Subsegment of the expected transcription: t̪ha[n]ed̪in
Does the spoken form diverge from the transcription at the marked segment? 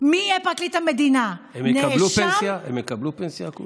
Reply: yes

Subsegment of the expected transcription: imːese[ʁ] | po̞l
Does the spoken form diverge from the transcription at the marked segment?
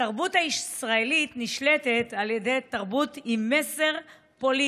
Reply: no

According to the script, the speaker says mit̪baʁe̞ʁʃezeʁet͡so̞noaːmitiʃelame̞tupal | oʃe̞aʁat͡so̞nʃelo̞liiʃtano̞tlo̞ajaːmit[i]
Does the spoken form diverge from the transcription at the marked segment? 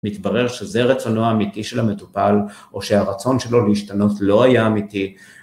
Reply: no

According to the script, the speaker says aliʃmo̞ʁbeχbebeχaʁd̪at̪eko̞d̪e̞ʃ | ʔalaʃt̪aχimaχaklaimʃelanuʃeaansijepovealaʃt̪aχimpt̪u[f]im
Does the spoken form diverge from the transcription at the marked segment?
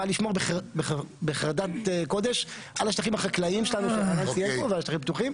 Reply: yes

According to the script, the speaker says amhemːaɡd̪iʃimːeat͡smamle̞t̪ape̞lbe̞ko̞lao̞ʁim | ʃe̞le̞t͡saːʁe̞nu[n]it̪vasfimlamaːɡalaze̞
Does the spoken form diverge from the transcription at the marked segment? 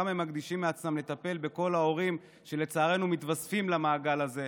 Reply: yes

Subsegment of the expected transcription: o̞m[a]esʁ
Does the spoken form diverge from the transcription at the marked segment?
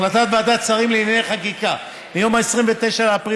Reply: no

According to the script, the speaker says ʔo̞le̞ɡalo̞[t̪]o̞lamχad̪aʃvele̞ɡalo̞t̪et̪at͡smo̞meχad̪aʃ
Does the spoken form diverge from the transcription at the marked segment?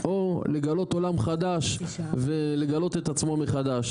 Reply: no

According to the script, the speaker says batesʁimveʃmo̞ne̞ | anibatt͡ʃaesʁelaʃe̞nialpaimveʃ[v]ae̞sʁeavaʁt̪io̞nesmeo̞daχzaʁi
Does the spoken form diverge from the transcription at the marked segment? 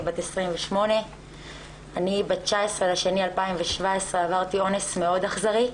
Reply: no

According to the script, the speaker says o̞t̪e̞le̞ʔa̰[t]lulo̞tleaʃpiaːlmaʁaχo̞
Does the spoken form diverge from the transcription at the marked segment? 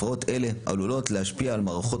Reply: yes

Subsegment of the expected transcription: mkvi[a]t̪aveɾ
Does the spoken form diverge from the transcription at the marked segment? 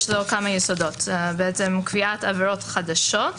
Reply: no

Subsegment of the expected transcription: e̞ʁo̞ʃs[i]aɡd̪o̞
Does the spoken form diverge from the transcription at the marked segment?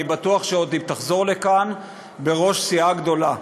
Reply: no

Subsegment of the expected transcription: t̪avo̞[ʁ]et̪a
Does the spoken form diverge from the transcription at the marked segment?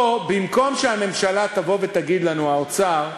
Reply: yes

